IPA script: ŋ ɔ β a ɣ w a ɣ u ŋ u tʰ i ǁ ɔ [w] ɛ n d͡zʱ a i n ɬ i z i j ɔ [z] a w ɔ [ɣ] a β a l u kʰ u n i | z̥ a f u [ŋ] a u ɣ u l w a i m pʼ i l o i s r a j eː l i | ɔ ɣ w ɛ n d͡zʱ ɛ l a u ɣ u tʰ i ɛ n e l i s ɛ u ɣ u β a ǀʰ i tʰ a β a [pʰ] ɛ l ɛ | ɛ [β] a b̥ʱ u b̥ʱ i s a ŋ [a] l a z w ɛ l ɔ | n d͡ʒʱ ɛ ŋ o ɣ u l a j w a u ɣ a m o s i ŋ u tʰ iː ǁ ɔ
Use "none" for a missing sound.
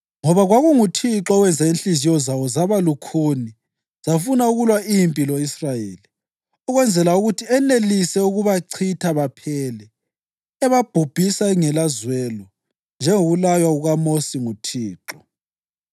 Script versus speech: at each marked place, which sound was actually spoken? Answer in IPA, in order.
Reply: w, z, z, n, pʰ, β, ɛ

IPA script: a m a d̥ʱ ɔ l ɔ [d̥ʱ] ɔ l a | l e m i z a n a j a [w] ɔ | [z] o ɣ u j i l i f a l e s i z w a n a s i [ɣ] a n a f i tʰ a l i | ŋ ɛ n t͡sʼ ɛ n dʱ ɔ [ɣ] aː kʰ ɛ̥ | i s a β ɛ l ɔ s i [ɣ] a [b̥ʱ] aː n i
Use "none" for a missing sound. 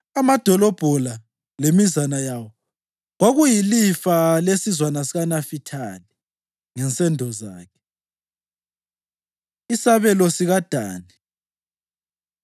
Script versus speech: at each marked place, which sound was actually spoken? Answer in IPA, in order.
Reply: b̥ʱ, w, ɣ, ɣ, z, ɣ, d̥ʱ

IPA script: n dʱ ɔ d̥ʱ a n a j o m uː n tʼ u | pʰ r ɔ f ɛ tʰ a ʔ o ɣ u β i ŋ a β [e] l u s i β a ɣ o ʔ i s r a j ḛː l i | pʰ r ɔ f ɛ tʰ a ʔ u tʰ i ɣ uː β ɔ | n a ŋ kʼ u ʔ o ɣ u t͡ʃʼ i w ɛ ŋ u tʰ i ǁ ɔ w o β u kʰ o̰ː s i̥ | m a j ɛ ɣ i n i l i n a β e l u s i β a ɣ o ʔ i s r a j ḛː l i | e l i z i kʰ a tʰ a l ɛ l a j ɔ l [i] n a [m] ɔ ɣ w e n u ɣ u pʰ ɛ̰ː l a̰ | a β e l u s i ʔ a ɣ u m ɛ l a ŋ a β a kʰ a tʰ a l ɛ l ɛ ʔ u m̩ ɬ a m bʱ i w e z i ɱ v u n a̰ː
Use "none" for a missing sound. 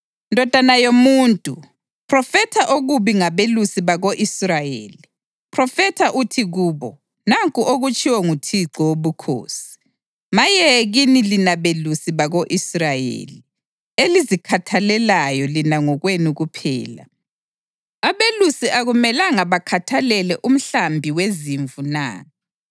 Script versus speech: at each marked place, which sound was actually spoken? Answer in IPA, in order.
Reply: e, i, ŋ

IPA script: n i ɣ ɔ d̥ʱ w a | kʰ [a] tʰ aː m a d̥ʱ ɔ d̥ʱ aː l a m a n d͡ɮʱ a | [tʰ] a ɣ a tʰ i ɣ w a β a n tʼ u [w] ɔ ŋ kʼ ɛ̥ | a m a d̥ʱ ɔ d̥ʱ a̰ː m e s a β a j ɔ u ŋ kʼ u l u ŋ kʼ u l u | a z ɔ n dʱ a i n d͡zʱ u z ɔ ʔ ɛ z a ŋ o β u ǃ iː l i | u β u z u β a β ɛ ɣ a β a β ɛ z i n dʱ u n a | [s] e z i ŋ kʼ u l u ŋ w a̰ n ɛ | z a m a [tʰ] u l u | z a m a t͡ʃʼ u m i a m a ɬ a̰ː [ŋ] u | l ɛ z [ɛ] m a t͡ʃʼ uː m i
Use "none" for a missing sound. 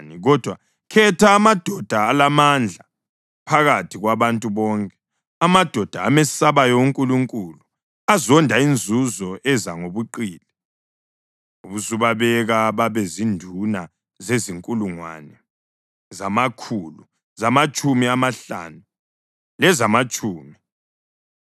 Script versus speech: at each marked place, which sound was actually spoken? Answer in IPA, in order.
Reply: ɛ, pʰ, β, z, kʰ, n, a

